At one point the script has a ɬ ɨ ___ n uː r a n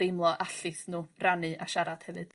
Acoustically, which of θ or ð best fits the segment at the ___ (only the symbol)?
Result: θ